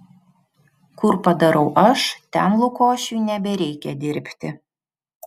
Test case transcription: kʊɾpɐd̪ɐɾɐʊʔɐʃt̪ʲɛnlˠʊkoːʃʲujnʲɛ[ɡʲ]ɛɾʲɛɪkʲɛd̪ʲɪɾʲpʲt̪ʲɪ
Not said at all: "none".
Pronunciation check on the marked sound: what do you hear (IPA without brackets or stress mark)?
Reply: bʲ